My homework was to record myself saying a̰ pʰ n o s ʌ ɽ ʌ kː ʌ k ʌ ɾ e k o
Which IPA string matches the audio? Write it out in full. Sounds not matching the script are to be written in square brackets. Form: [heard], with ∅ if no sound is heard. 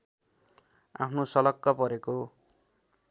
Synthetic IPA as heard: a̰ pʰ n o s ʌ [l] ʌ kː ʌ [p] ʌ ɾ e k o